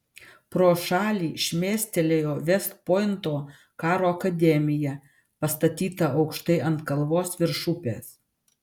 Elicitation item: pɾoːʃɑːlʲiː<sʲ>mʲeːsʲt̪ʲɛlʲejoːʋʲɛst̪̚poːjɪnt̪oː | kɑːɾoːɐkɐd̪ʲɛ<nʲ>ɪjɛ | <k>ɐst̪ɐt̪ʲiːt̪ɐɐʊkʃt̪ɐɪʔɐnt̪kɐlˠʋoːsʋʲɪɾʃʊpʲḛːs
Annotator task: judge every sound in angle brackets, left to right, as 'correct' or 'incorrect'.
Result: incorrect: ʃʲ, incorrect: mʲ, incorrect: p

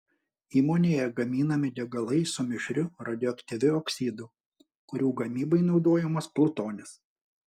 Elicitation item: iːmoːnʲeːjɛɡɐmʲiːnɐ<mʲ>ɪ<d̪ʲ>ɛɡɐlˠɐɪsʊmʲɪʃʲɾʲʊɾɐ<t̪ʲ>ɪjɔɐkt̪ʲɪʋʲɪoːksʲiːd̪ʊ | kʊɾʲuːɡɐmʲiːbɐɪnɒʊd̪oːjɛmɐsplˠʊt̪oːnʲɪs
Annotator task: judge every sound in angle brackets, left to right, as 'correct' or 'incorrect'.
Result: correct, correct, incorrect: d̪ʲ

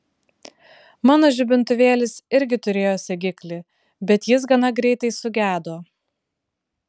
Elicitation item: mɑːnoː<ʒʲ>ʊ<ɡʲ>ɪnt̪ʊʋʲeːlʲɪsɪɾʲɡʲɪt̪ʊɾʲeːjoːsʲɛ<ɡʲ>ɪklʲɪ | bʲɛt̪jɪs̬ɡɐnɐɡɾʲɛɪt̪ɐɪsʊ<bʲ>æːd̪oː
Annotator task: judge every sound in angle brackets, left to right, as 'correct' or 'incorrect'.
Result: correct, incorrect: bʲ, correct, incorrect: ɡʲ

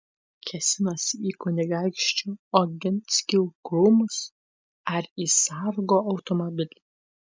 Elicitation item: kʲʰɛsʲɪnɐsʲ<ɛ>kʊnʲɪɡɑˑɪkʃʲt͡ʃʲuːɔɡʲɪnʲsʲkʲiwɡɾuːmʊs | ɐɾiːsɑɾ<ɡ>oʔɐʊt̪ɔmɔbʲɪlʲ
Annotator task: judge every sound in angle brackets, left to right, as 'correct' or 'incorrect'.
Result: incorrect: i, correct

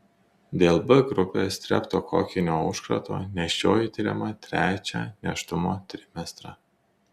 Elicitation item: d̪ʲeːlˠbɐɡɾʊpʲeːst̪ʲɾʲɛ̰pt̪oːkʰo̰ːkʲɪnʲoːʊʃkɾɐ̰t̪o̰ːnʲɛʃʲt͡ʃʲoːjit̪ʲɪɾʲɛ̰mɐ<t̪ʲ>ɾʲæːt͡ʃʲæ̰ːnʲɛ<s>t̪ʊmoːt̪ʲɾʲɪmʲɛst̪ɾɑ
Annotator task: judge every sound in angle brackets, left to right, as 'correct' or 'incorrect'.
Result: correct, incorrect: ʃ

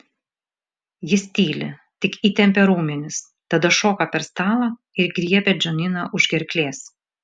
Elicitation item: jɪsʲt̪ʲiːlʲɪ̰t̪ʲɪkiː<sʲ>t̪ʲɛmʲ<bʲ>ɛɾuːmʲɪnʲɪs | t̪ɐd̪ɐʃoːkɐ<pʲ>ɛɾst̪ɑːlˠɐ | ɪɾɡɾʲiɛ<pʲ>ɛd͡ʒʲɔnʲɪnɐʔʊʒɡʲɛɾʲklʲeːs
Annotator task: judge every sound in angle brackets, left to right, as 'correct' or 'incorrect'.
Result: incorrect: none, incorrect: pʲ, correct, correct

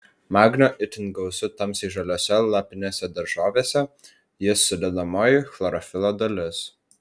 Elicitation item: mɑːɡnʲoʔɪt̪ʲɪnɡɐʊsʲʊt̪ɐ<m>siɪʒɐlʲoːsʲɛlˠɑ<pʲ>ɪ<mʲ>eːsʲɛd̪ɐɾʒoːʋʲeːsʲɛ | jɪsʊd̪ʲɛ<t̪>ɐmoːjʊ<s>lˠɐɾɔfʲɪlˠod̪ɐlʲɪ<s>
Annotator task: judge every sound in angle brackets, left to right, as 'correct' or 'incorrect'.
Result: correct, correct, incorrect: nʲ, incorrect: d̪, incorrect: x, correct

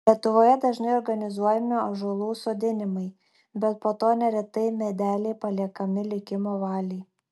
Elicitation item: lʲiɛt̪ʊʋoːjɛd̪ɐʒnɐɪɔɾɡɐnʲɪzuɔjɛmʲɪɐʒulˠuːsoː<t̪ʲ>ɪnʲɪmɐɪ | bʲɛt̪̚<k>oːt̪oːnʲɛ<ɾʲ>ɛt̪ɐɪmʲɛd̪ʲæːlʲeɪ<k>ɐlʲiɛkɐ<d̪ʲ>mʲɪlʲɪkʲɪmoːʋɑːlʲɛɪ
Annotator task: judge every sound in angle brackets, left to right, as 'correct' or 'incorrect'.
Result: incorrect: d̪ʲ, incorrect: p, correct, incorrect: p, incorrect: none

